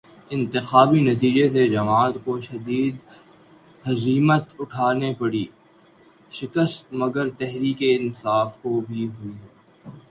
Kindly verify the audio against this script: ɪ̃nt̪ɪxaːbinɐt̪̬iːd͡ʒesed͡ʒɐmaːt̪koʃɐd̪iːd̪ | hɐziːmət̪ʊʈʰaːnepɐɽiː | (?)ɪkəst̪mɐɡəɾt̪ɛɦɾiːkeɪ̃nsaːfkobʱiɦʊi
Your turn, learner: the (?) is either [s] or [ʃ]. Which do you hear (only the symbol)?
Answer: ʃ